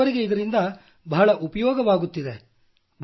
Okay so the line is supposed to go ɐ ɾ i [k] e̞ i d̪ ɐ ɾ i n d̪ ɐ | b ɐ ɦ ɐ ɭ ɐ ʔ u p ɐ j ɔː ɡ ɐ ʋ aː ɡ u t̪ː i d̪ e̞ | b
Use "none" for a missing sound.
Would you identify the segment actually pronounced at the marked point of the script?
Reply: ɡ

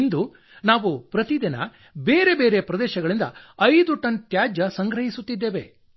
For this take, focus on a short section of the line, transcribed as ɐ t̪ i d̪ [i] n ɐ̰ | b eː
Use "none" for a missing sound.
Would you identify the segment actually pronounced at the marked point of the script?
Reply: i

